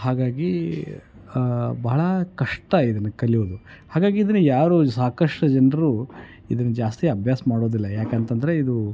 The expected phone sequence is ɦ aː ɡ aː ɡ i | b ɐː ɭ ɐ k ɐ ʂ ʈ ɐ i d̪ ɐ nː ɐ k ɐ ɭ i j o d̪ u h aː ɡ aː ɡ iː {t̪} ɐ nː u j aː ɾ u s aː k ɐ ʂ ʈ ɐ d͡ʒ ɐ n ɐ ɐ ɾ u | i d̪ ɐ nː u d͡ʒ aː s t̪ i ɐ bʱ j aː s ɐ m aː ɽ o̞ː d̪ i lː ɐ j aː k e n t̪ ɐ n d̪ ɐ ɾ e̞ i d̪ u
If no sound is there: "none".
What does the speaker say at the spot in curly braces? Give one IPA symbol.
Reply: d̪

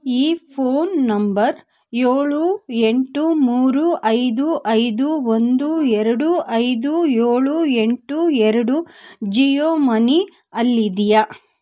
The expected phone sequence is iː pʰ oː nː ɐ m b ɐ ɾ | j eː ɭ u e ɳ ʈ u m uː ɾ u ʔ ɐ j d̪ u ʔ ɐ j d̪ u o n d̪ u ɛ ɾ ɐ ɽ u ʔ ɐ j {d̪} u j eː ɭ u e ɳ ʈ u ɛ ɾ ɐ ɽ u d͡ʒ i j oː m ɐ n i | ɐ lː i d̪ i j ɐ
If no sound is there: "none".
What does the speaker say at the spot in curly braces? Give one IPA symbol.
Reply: d̪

